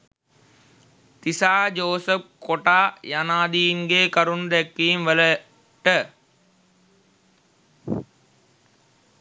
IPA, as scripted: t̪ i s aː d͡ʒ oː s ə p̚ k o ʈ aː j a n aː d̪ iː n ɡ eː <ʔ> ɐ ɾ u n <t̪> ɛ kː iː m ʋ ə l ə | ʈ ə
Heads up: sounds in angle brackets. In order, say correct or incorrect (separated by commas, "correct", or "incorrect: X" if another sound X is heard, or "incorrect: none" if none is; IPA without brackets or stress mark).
incorrect: k, incorrect: d̪